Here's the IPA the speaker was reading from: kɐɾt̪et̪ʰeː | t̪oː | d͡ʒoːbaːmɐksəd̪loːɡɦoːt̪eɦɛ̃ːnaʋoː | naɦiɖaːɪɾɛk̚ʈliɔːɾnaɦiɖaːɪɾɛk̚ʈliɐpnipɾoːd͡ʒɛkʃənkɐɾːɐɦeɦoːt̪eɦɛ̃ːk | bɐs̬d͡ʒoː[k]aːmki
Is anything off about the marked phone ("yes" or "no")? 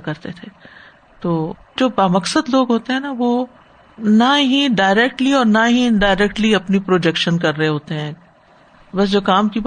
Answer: no